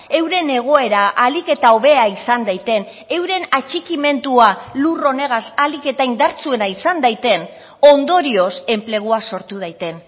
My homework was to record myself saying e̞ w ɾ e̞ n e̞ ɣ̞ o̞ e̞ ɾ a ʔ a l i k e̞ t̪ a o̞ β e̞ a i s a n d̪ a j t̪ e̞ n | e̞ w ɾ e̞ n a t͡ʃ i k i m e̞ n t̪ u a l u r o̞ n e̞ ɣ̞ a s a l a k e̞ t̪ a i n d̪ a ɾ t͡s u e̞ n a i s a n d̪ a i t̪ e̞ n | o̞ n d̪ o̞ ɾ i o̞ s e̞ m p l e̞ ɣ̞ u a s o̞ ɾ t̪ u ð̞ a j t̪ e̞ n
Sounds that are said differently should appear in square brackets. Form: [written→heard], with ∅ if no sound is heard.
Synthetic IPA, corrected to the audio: e̞ w ɾ e̞ n e̞ ɣ̞ o̞ e̞ ɾ a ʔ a l i k e̞ t̪ a o̞ β e̞ a i s a n d̪ a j t̪ e̞ n | e̞ w ɾ e̞ n a t͡ʃ i k i m e̞ n t̪ u a l u r o̞ n e̞ ɣ̞ a s a l [a→i] k e̞ t̪ a i n d̪ a ɾ t͡s u e̞ n a i s a n d̪ a [i→j] t̪ e̞ n | o̞ n d̪ o̞ ɾ i o̞ s e̞ m p l e̞ ɣ̞ u a s o̞ ɾ t̪ u ð̞ a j t̪ e̞ n

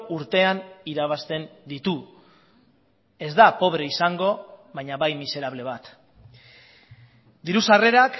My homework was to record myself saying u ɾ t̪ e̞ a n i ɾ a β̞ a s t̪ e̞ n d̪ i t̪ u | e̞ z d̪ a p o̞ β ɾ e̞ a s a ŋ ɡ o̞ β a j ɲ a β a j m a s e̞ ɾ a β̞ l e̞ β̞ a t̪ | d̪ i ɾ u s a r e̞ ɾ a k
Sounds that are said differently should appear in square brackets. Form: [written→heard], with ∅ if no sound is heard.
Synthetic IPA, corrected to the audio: u ɾ t̪ e̞ a n i ɾ a β̞ a s t̪ e̞ n d̪ i t̪ u | e̞ z d̪ a p o̞ β ɾ e̞ [a→i] s a ŋ ɡ o̞ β a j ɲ a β a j m [a→i] s e̞ ɾ a β̞ l e̞ β̞ a t̪ | d̪ i ɾ u s a r e̞ ɾ a k

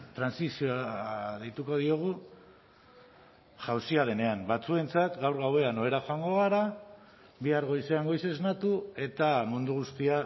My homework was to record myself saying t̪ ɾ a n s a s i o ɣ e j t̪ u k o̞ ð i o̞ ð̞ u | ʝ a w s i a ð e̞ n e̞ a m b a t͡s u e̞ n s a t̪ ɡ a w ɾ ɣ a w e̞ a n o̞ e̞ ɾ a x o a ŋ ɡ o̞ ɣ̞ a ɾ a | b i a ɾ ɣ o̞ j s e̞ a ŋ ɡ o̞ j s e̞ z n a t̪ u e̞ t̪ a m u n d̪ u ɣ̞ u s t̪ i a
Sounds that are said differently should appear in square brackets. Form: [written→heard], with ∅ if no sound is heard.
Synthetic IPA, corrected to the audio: t̪ ɾ a n s [a→i] s i o [ɣ→ð] e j t̪ u k o̞ ð i o̞ [ð̞→ɣ̞] u | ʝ a w s i a ð e̞ n e̞ a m b a t͡s u e̞ n [s→t͡s] a t̪ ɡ a w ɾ ɣ a w e̞ a n o̞ e̞ ɾ a x o a ŋ ɡ o̞ ɣ̞ a ɾ a | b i a ɾ ɣ o̞ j s e̞ a ŋ ɡ o̞ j s e̞ z n a t̪ u e̞ t̪ a m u n d̪ u ɣ̞ u s t̪ i a

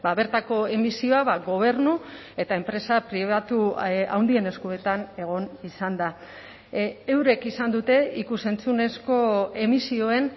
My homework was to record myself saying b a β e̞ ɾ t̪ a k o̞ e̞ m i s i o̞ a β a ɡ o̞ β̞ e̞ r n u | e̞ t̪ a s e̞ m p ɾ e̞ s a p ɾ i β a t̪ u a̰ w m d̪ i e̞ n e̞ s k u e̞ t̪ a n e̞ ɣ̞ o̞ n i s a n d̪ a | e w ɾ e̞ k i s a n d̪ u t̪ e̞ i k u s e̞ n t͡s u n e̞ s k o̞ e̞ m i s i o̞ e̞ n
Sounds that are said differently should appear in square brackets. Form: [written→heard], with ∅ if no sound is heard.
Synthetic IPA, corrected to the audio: b a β e̞ ɾ t̪ a k o̞ e̞ m i s i o̞ a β a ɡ o̞ β̞ e̞ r n u | e̞ t̪ a [s→∅] e̞ m p ɾ e̞ s a p ɾ i β a t̪ u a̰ w [m→n] d̪ i e̞ n e̞ s k u e̞ t̪ a n e̞ ɣ̞ o̞ n i s a n d̪ a | e w ɾ e̞ k i s a n d̪ u t̪ e̞ i k u s e̞ n t͡s u n e̞ s k o̞ e̞ m i s i o̞ e̞ n

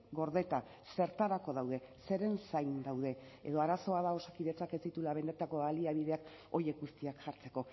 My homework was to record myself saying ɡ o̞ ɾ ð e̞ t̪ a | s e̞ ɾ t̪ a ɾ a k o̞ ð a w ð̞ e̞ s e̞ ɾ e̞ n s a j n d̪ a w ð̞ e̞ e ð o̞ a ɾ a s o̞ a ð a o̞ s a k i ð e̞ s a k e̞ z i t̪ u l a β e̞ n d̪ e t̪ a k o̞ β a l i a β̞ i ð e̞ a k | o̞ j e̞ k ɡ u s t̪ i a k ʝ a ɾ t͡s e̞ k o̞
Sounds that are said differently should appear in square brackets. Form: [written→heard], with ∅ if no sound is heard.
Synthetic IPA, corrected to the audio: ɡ o̞ ɾ ð e̞ t̪ a | s e̞ ɾ t̪ a ɾ a k o̞ ð a w ð̞ e̞ s e̞ ɾ e̞ n s a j n d̪ a w ð̞ e̞ e ð o̞ a ɾ a s o̞ a ð a o̞ s a k i ð e̞ [s→t͡s] a k e̞ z i t̪ u l a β e̞ n d̪ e t̪ a k o̞ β a l i a β̞ i ð e̞ a k | o̞ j e̞ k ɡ u s t̪ i a k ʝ a ɾ t͡s e̞ k o̞

